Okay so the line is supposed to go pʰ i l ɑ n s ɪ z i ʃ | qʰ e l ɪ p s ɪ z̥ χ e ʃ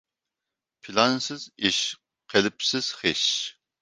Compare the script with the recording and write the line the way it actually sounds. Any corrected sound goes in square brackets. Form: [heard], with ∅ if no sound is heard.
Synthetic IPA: pʰ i l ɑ n s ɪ z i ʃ | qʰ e l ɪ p s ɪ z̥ χ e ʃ